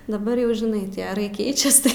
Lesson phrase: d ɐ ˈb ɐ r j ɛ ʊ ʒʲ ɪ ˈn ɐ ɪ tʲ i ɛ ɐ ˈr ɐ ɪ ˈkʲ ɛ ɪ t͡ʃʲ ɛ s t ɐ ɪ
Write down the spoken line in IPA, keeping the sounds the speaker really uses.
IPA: d ɐ ˈb ɐ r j ɛ ʊ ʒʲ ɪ ˈn ɐ ɪ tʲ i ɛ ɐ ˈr ɐ ɪ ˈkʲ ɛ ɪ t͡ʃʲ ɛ s t ɐ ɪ